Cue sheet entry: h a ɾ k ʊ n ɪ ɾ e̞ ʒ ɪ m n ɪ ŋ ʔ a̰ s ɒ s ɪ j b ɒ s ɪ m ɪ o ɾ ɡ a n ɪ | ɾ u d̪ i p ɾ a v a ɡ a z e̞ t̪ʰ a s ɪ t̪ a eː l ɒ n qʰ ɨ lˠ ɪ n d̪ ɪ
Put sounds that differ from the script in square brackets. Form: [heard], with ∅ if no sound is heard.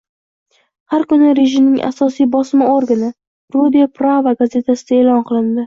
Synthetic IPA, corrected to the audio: h a ɾ k ʊ n ɪ ɾ e̞ ʒ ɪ m n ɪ ŋ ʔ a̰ s ɒ s [i] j b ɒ s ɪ m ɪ o ɾ ɡ a n ɪ | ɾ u d̪ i p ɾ a v a ɡ a z e̞ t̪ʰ a s ɪ [d̪] a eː l ɒ n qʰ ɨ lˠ ɪ n d̪ ɪ

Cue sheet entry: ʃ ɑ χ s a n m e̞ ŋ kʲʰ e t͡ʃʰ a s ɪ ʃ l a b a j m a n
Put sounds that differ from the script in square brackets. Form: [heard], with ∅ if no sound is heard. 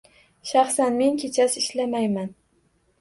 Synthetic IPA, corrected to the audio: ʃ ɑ χ s a n m e̞ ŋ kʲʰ e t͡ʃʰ a s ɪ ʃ l a [m] a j m a n

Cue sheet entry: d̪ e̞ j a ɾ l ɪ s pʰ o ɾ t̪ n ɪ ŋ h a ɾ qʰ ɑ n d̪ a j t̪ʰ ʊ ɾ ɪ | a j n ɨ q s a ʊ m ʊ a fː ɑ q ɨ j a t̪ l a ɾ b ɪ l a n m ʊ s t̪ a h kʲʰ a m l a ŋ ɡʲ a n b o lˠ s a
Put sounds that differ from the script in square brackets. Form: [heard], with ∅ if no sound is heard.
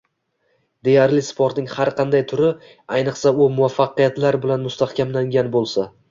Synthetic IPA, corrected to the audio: d̪ e̞ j a ɾ l ɪ s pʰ o ɾ t̪ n ɪ ŋ h a ɾ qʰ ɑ n d̪ a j t̪ʰ ʊ ɾ ɪ | a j n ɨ q s a ʊ m ʊ a fː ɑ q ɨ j a t̪ l a ɾ b ɪ l a n m ʊ s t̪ a h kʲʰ a m l a ŋ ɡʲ a n b o lˠ s a

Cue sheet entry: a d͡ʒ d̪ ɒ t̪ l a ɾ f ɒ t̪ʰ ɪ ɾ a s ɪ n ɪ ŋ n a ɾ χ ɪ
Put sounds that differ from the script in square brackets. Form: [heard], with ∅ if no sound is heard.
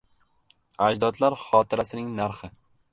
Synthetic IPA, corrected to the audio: a d͡ʒ d̪ ɒ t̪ l a ɾ [χ] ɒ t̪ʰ ɪ ɾ a s ɪ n ɪ ŋ n a ɾ χ ɪ

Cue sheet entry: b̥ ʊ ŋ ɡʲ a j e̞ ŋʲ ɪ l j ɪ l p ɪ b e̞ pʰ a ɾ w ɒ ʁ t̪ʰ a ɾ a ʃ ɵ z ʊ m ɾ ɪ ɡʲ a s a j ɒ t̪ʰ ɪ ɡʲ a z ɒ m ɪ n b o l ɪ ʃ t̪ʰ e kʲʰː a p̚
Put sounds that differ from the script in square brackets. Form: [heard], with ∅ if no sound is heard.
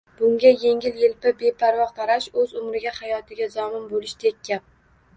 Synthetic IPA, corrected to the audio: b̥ ʊ ŋ ɡʲ a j e̞ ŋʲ ɪ l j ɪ l p ɪ b e̞ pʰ a ɾ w ɒ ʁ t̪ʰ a ɾ a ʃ ɵ z ʊ m ɾ ɪ ɡʲ a [h] a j ɒ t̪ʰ ɪ ɡʲ a z ɒ m ɪ n b o l ɪ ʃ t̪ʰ e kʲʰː a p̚

